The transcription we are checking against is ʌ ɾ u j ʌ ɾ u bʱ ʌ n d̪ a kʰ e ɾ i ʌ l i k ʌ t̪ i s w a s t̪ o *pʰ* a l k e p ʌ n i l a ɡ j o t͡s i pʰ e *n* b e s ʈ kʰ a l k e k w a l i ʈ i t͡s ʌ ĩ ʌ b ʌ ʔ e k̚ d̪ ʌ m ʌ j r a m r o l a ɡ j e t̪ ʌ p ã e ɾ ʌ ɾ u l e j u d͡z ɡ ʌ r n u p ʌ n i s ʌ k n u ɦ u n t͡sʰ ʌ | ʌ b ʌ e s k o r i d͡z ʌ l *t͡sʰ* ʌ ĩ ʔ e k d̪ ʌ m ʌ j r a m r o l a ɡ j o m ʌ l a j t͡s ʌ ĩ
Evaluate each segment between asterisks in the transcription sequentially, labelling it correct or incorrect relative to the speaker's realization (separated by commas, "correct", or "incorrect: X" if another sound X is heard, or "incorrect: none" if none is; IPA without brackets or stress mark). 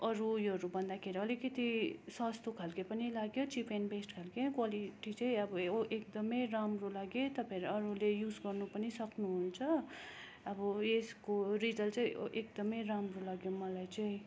incorrect: kʰ, correct, incorrect: t͡s